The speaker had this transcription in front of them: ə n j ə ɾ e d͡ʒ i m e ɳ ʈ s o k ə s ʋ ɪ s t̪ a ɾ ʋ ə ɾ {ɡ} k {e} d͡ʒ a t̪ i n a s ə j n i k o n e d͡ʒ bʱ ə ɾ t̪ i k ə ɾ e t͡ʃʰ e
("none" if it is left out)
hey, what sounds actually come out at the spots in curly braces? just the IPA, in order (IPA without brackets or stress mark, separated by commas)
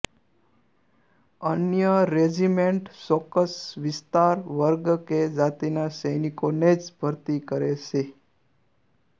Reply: ɡ, e